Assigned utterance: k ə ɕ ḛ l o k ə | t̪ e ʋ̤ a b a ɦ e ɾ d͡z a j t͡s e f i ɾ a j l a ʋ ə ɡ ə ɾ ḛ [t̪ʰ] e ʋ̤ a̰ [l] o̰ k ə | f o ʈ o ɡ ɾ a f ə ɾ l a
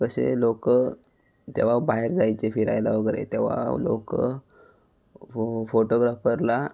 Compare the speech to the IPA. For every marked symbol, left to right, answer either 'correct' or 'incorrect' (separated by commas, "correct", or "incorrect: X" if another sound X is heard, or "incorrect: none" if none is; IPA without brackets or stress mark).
incorrect: t̪, correct